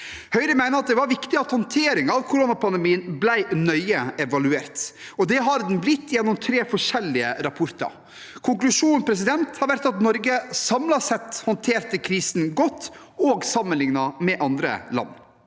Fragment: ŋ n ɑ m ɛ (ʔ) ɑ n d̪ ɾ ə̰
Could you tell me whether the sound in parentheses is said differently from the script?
no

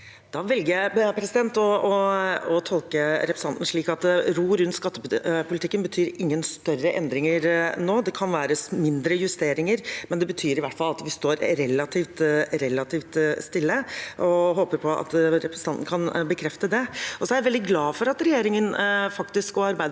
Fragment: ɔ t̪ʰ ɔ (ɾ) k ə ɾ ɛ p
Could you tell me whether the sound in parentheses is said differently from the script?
yes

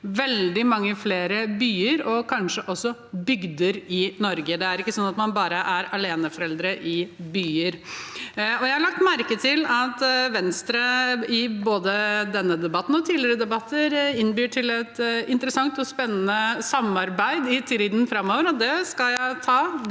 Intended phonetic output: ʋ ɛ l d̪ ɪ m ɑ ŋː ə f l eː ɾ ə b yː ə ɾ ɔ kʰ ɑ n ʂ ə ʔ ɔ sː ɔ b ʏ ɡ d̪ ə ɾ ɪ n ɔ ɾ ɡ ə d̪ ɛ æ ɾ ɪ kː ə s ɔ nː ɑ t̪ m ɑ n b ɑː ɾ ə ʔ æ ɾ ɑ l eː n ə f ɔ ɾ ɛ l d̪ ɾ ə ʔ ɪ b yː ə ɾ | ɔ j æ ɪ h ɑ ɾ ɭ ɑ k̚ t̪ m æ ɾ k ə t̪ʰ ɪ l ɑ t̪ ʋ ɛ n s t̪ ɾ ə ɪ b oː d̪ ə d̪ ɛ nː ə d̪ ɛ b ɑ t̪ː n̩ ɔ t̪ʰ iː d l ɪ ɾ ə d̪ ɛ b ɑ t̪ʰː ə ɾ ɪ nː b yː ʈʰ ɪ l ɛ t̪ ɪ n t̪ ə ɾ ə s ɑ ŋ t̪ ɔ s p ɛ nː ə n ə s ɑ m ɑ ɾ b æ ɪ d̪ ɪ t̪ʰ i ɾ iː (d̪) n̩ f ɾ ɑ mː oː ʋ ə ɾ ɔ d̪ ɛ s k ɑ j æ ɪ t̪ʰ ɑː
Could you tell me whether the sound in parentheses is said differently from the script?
no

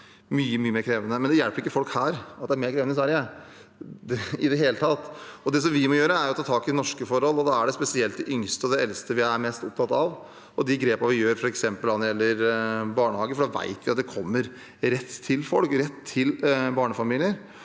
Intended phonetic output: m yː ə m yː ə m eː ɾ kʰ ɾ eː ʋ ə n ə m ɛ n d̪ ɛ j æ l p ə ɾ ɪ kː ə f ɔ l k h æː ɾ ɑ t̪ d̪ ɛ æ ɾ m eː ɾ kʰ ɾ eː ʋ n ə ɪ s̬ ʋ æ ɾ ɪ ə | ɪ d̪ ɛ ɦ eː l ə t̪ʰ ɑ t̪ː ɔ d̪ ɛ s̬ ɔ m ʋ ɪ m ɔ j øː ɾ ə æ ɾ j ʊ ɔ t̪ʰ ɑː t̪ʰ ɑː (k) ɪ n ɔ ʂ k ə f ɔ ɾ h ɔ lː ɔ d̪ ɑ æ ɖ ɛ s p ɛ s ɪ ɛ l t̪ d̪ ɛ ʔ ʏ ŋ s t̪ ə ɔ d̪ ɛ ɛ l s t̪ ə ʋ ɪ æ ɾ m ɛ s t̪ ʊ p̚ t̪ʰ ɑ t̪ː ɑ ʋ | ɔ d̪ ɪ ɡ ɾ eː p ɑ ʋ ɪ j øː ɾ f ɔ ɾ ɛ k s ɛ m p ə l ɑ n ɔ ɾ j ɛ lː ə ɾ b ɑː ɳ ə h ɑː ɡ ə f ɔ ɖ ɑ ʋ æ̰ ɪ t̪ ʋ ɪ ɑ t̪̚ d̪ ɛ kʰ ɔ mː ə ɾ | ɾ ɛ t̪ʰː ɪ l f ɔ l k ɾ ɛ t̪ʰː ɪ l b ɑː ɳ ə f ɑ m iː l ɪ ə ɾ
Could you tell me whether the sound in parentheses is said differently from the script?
no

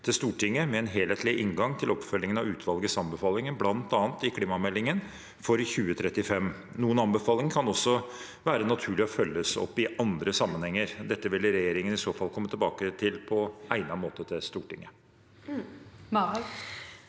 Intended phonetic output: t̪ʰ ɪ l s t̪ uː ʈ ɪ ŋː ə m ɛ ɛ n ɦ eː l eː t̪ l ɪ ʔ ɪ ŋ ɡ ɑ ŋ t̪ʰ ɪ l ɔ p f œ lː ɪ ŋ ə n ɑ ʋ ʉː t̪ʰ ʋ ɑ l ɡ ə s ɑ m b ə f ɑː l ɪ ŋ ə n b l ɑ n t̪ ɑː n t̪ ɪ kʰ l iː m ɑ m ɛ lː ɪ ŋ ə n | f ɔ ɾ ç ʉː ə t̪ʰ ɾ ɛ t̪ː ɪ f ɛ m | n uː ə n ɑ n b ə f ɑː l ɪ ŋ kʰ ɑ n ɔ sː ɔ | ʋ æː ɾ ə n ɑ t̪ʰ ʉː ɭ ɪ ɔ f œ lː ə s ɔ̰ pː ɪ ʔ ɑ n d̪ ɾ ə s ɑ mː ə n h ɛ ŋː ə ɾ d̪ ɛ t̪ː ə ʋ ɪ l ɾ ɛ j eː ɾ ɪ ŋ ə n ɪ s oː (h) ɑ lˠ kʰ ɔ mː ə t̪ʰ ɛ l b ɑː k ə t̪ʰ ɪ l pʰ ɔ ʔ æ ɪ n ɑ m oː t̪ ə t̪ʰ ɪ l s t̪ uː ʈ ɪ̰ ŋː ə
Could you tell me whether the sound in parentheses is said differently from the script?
yes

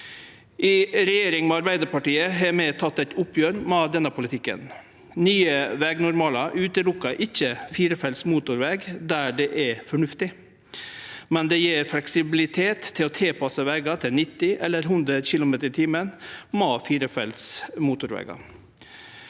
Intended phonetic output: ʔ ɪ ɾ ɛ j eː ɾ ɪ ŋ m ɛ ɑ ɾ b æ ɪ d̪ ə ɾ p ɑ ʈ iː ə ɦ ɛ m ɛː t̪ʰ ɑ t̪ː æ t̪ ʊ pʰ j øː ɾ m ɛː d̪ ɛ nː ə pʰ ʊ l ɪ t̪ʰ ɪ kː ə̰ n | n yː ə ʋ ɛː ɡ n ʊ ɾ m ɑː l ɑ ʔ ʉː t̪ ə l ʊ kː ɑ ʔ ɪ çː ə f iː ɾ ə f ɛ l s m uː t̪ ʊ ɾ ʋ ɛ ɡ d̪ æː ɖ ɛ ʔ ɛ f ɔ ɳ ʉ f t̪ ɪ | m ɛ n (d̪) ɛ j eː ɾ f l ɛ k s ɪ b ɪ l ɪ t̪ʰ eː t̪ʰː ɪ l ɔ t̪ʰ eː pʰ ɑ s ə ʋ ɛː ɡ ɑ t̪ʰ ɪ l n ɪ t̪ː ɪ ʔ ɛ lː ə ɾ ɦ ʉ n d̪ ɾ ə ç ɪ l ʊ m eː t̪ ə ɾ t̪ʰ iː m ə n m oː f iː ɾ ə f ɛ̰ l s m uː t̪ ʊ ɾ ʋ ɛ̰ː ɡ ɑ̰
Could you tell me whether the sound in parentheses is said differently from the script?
no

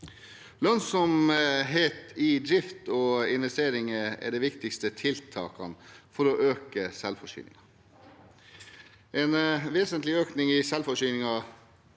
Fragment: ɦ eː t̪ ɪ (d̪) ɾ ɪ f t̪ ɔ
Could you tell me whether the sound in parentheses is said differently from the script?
no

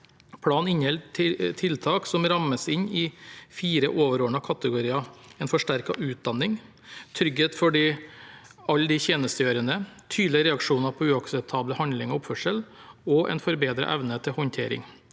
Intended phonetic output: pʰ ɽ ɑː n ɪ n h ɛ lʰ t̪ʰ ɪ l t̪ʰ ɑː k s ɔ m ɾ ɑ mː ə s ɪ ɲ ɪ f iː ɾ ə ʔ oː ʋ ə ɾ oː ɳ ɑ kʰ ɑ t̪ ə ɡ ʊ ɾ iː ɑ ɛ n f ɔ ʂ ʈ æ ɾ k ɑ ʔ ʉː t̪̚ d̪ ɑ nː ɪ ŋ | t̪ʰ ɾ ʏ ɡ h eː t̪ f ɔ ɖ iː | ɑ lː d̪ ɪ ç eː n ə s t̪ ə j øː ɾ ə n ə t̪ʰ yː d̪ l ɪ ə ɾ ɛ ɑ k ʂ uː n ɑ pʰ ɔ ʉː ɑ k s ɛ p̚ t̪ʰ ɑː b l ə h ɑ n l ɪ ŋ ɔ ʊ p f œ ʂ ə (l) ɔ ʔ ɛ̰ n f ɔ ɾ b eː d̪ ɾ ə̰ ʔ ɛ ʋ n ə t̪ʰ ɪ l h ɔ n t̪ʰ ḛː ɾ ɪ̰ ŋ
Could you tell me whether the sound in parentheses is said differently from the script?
no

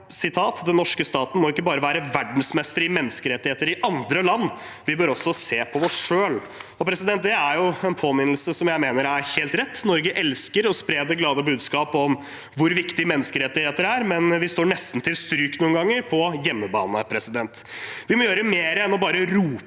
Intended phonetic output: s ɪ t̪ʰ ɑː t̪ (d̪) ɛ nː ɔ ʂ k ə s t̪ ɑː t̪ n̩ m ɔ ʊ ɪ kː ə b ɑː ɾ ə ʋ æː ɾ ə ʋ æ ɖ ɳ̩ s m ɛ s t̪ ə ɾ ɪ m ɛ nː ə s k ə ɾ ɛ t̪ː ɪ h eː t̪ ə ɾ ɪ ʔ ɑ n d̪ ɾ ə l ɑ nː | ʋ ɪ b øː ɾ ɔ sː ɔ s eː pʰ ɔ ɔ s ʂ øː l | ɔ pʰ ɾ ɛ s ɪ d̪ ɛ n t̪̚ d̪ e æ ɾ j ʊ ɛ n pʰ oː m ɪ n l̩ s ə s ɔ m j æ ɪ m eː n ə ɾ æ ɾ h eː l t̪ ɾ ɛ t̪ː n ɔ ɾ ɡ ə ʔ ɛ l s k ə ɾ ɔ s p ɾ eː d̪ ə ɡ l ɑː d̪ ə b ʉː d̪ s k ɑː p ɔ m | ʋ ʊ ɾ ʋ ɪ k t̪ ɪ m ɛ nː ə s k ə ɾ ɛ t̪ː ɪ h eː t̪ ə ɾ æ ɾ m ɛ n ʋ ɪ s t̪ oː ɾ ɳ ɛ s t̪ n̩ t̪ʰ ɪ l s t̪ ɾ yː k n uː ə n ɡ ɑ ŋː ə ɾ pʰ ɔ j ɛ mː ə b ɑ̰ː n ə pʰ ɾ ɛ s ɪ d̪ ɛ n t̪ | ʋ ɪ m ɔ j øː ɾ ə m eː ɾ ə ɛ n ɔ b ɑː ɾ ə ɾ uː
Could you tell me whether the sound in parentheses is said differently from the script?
no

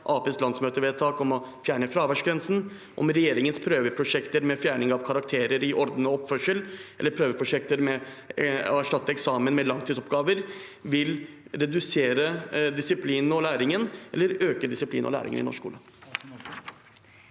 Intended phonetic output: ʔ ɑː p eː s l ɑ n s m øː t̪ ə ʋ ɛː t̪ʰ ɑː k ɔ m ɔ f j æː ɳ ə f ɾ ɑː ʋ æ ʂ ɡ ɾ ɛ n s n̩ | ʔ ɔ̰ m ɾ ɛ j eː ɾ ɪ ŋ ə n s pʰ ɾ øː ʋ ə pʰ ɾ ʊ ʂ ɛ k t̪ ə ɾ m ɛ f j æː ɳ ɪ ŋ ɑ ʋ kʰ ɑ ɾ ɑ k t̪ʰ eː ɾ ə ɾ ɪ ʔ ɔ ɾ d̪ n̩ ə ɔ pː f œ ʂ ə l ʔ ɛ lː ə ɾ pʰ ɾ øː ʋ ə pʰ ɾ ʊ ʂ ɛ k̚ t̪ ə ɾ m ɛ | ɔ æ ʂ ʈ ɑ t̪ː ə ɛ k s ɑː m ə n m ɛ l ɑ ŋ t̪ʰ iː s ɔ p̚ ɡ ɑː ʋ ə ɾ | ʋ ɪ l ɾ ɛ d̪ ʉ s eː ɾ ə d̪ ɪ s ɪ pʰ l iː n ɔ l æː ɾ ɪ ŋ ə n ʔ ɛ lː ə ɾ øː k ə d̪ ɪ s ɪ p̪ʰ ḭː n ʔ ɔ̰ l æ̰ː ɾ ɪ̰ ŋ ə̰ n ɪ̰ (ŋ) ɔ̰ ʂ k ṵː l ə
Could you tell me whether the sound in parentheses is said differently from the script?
yes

